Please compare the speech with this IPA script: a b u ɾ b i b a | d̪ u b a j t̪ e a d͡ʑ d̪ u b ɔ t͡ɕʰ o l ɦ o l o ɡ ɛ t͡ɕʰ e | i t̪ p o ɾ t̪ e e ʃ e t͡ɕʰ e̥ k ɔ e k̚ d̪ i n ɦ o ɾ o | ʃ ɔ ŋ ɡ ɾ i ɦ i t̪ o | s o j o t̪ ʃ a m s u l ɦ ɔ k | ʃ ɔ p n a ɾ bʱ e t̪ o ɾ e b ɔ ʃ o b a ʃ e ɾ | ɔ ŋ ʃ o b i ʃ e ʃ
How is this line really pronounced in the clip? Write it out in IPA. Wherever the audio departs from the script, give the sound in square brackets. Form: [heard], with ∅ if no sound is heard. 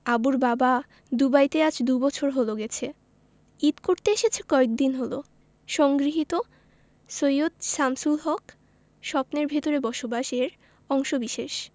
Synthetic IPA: a b u ɾ b [a] b a | d̪ u b a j t̪ e a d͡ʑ d̪ u b ɔ t͡ɕʰ o [ɾ] ɦ o l o ɡ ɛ t͡ɕʰ e | i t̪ [k] o ɾ t̪ e e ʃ e t͡ɕʰ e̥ k ɔ e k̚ d̪ i n ɦ o [l] o | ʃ ɔ ŋ ɡ ɾ i ɦ i t̪ o | s o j o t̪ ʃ a m s u l ɦ ɔ k | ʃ ɔ p n [e] ɾ bʱ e t̪ o ɾ e b ɔ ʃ o b a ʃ e ɾ | ɔ ŋ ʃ o b i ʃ e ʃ